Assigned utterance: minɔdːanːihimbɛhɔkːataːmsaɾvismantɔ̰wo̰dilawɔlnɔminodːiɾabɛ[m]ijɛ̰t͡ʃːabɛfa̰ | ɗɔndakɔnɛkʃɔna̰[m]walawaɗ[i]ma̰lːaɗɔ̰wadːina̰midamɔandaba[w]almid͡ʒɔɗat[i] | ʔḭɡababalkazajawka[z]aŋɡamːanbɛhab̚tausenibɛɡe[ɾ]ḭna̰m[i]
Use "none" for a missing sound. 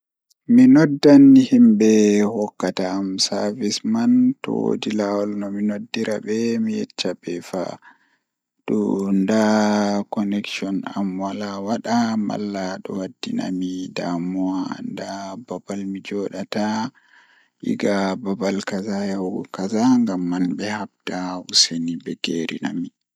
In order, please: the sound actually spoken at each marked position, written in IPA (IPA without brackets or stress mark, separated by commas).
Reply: m, m, a, b, a, z, ɾ, i